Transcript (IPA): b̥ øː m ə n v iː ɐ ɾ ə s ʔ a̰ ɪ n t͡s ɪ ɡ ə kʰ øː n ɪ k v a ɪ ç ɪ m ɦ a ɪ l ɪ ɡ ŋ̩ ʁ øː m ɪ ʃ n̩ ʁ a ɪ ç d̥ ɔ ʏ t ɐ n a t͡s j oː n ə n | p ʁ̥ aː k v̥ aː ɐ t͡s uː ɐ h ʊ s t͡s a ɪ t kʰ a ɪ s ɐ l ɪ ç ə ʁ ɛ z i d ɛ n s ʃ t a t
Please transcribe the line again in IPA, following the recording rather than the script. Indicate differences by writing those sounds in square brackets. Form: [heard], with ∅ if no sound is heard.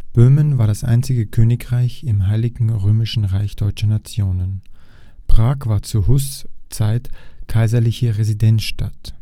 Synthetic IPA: b̥ øː m ə n v [aː] ɐ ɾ [a] s ʔ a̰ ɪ n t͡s ɪ ɡ ə kʰ øː n ɪ k [ʁ] a ɪ ç ɪ m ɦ a ɪ l ɪ ɡ ŋ̩ ʁ øː m ɪ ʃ n̩ ʁ a ɪ ç d̥ ɔ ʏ [t͡ʃ] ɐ n a t͡s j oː n ə n | p ʁ̥ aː k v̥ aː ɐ t͡s uː ɐ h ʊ s t͡s a ɪ t kʰ a ɪ [z] ɐ l ɪ ç ə ʁ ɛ z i d ɛ n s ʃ t a t